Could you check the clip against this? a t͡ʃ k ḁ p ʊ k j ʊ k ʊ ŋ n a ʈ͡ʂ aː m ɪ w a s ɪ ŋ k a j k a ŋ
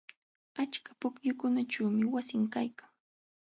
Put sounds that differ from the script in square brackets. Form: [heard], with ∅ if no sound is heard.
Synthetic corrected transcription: a t͡ʃ k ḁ p ʊ k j ʊ k ʊ [∅] n a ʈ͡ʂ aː m ɪ w a s ɪ ŋ k a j k a ŋ